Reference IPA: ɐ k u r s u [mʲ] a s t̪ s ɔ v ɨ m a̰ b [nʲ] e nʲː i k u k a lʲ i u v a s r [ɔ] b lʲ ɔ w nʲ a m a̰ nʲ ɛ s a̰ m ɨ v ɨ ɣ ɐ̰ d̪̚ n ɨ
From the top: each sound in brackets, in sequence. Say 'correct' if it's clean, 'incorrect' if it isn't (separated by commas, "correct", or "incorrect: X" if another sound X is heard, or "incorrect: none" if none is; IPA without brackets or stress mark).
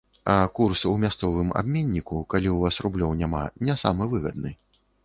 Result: correct, incorrect: mʲ, incorrect: u